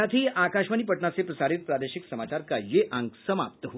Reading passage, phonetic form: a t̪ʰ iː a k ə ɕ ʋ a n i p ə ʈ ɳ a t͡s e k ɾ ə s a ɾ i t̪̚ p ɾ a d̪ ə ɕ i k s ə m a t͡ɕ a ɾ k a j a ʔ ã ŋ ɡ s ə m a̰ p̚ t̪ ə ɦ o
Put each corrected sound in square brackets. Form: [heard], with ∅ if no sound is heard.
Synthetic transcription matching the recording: a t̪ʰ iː a k [a] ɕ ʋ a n i p ə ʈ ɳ a t͡s e [p] ɾ ə s a ɾ i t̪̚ p ɾ a d̪ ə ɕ i k s ə m a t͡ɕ a ɾ k a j [e] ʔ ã ŋ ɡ s ə m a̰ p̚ t̪ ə ɦ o